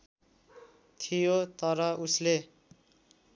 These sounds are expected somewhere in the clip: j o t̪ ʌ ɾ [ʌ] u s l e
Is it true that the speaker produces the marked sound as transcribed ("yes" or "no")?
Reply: yes